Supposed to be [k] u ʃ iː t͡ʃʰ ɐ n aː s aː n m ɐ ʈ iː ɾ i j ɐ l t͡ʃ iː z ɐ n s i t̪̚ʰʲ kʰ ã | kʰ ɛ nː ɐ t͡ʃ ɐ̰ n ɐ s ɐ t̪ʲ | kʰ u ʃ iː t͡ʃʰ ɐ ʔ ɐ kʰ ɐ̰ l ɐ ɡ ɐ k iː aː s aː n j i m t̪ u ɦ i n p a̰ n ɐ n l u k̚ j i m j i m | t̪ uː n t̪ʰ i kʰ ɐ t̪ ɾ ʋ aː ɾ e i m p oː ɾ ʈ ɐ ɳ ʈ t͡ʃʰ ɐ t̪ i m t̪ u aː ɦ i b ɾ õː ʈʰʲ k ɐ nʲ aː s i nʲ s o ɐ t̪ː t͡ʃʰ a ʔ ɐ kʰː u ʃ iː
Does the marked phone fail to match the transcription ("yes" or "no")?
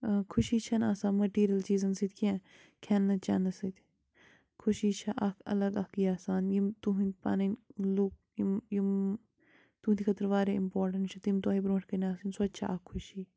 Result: yes